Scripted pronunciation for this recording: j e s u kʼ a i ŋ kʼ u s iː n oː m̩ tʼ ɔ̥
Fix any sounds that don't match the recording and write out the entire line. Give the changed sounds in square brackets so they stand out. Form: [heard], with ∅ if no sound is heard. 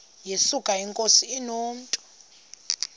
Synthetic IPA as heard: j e s u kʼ a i ŋ kʼ [o] s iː n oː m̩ tʼ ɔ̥